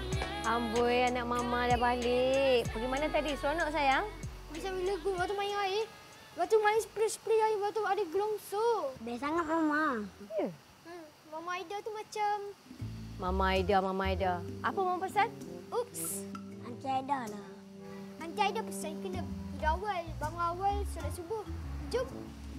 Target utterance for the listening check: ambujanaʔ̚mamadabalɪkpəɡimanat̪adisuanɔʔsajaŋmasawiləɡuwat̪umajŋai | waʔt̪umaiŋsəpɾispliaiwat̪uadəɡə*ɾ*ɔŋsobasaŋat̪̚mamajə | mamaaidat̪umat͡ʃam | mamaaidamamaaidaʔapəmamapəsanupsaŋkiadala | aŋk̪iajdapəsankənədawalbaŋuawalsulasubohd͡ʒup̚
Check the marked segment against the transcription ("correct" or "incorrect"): incorrect